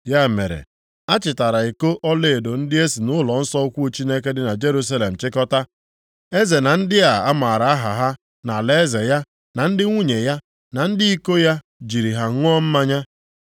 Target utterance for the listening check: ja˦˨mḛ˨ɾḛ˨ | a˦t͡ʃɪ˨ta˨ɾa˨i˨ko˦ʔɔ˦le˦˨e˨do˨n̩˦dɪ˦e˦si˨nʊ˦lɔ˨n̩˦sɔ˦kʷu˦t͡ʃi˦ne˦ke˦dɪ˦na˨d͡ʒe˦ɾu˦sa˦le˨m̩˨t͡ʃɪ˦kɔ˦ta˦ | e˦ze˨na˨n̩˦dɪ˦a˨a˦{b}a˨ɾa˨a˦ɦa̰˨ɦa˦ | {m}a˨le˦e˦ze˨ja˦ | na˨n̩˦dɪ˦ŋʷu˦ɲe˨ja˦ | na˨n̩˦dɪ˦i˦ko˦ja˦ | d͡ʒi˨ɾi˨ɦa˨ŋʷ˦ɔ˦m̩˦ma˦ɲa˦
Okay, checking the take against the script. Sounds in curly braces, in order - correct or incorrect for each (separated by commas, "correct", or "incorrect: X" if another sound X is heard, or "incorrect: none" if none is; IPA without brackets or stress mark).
incorrect: m, incorrect: n